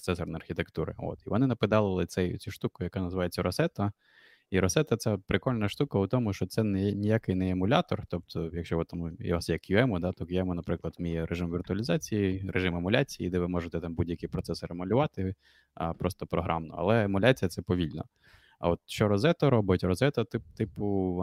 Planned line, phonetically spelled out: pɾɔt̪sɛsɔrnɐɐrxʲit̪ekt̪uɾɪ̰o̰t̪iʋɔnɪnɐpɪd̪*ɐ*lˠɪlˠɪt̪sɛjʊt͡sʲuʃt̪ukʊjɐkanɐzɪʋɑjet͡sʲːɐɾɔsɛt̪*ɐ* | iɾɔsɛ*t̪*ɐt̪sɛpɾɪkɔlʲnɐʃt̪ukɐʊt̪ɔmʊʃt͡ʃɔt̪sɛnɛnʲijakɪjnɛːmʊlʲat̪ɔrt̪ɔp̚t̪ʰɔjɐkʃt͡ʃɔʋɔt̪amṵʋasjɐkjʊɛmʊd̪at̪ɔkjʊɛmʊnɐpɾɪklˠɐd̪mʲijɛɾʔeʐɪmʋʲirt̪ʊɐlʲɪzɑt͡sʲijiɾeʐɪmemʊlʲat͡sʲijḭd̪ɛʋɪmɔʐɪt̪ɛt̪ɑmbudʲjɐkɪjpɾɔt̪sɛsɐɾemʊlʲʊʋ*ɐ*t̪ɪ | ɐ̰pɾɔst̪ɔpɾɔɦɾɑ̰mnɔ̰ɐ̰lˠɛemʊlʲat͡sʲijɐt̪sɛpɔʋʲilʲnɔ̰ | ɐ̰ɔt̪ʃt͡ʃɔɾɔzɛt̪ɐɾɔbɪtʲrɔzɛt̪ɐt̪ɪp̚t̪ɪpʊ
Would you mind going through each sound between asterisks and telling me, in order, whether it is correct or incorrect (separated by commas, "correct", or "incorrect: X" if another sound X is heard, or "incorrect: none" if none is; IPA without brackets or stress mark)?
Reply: incorrect: ɑ, correct, correct, incorrect: ɑ